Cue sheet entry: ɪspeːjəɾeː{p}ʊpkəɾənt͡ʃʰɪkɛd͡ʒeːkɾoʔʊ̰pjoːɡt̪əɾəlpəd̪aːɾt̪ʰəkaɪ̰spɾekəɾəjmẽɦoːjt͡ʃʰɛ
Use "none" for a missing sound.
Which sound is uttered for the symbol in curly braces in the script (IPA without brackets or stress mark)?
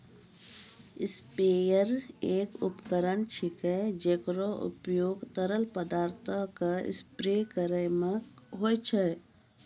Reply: k